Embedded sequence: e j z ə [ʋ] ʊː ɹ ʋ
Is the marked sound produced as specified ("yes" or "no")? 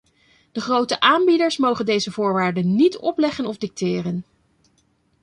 no